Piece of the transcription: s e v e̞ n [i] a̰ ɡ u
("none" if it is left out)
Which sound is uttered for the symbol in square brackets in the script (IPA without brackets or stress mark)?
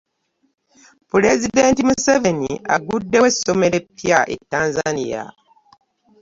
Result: i